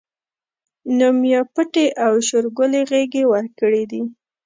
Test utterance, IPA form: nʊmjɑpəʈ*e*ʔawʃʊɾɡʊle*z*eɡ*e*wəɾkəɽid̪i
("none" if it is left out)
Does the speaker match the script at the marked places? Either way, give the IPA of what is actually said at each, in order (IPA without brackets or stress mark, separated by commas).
e, ɣ, e